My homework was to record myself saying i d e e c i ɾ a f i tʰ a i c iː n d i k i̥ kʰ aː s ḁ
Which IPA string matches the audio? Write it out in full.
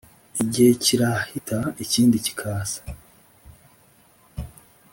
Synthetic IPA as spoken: i ɟ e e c i ɾ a h i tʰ a i c iː n d i c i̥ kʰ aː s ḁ